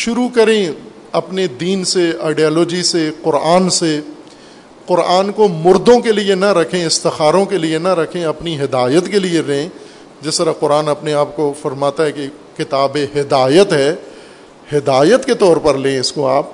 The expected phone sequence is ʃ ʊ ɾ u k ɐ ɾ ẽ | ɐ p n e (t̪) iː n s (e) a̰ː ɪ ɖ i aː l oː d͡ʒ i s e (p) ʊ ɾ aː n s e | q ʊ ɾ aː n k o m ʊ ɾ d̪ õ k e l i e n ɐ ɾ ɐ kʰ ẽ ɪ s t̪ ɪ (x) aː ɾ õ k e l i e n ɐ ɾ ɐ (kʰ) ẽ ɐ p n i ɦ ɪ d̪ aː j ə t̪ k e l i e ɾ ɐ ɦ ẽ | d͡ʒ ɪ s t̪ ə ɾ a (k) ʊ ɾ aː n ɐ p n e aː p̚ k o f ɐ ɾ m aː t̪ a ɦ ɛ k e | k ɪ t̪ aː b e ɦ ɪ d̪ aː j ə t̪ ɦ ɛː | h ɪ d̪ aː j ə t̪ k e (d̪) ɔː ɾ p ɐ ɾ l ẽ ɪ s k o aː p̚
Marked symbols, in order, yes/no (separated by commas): no, yes, no, yes, yes, no, no